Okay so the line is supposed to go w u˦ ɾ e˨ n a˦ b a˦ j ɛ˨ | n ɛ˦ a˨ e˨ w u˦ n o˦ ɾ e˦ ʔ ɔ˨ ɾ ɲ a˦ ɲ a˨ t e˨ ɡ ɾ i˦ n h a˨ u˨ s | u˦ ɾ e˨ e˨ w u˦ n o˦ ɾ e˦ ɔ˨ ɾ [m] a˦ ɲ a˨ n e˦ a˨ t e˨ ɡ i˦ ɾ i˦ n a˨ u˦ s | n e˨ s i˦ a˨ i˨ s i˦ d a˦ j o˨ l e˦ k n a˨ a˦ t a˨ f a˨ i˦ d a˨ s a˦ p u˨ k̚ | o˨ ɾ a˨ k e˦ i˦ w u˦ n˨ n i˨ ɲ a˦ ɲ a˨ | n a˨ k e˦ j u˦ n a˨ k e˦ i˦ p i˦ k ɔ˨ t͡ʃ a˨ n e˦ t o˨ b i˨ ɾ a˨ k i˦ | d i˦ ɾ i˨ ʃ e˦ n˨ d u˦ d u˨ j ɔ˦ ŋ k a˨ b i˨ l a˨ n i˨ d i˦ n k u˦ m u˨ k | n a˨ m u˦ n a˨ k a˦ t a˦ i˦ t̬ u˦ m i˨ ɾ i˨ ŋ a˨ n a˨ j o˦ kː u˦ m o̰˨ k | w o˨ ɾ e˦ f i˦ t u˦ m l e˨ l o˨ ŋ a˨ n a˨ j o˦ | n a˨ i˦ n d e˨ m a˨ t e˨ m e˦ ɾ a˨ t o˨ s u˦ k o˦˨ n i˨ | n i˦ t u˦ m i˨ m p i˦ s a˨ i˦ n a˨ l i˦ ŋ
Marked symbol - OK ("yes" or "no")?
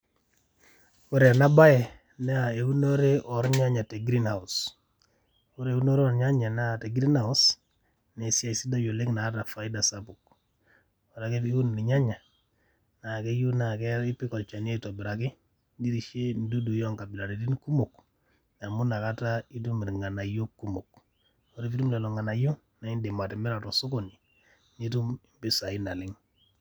no